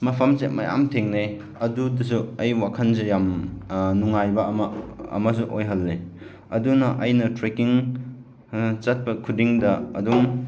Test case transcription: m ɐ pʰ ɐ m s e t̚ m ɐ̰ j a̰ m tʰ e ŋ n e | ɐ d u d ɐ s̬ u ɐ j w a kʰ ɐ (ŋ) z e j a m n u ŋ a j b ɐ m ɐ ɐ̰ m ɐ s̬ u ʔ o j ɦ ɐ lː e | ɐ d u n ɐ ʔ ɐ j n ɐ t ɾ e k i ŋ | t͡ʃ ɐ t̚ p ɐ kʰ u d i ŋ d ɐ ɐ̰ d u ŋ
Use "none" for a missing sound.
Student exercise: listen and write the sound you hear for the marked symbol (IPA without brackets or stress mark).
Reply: n